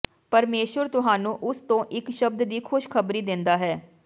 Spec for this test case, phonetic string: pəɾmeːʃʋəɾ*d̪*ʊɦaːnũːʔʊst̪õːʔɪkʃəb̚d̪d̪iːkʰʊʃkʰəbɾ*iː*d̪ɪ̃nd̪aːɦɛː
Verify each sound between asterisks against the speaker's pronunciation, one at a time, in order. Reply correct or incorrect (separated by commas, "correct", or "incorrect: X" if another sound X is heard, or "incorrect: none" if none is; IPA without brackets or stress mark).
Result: incorrect: t̪, correct